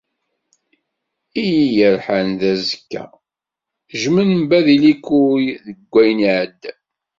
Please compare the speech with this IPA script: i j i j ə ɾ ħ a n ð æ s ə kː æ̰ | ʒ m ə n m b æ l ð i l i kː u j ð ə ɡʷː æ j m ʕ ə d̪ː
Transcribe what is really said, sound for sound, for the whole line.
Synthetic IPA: i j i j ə ɾ ħ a n ð æ z ə kː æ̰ | ʒ m ə n m b æ ð i l i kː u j ð ə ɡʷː æ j n ʕ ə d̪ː